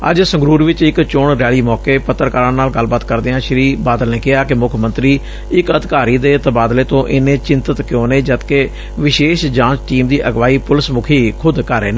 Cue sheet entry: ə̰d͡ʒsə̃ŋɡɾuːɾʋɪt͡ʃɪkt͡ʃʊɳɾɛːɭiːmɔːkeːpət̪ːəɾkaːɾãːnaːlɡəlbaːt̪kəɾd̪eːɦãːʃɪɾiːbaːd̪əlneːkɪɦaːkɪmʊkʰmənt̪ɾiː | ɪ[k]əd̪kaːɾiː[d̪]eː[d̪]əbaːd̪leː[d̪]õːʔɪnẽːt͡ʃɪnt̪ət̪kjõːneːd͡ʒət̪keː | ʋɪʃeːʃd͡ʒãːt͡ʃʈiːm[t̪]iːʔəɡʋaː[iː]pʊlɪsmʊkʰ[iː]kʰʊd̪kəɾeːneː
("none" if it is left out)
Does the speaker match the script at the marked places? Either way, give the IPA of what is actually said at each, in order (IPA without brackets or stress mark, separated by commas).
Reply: k, d̪, t̪, t̪, d̪, iː, iː